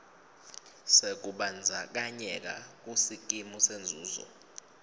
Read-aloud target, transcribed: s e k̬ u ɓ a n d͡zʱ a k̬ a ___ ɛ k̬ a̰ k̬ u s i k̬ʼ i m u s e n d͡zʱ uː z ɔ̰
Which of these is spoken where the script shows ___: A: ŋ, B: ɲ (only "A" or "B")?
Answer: B